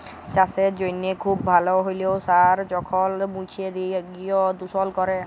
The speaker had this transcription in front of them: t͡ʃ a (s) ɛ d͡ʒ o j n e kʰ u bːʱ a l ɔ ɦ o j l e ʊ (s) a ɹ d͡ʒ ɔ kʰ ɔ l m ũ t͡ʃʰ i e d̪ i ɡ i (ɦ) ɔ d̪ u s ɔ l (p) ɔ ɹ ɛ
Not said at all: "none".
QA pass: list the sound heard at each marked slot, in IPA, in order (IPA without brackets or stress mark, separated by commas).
s, s, none, k